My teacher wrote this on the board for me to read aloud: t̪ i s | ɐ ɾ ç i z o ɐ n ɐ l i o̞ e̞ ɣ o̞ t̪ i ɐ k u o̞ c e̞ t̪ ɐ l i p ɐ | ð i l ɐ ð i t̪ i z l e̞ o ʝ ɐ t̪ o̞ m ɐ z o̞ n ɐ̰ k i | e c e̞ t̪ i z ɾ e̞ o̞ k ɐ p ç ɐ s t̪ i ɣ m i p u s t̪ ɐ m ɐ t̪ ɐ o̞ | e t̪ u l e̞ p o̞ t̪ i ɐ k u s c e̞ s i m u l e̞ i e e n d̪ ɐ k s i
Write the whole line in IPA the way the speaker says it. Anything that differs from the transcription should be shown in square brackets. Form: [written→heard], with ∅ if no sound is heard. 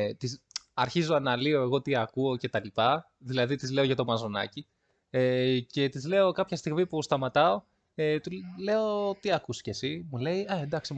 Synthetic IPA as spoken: t̪ i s | ɐ ɾ ç i z o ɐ n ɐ l i o̞ e̞ ɣ o̞ t̪ i ɐ k u o̞ c e̞ t̪ ɐ l i p ɐ | ð i l ɐ ð i t̪ i z l e̞ o ʝ ɐ t̪ o̞ m ɐ z o̞ n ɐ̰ [k→c] i | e c e̞ t̪ i z [ɾ→l] e̞ o̞ k ɐ p ç ɐ s t̪ i ɣ m i p u s t̪ ɐ m ɐ t̪ ɐ o̞ | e t̪ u l e̞ [p→∅] o̞ t̪ i ɐ k u s c e̞ s i m u l e̞ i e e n d̪ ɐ k s i